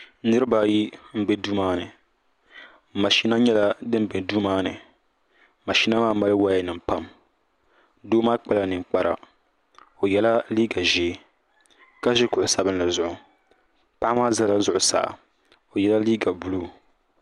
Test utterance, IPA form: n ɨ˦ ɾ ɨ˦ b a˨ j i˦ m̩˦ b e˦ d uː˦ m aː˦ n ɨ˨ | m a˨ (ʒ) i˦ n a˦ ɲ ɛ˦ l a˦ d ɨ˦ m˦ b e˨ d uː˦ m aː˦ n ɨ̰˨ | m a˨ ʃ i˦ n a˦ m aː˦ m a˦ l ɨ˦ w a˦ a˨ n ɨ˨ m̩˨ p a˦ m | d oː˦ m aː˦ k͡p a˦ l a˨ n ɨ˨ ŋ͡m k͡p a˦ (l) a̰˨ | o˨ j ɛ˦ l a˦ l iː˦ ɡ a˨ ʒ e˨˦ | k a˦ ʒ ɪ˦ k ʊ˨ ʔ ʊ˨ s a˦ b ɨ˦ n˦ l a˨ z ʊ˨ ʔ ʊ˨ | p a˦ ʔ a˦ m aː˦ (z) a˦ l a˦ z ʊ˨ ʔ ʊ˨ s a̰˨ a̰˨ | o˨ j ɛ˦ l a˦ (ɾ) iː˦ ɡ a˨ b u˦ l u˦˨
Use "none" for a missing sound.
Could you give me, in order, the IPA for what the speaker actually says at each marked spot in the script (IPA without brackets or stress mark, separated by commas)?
ʃ, ɾ, z, l